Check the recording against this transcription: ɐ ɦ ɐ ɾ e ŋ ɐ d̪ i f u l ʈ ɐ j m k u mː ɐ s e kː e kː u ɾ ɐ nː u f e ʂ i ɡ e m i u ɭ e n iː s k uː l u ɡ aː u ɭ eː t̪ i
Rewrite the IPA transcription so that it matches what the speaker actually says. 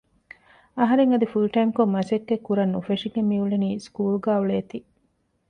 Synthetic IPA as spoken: ɐ ɦ ɐ ɾ e ŋ ɐ d̪ i f u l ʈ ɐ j m k o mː ɐ s e kː e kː u ɾ ɐ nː u f e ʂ i ɡ e m i u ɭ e n iː s k uː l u ɡ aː u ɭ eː t̪ i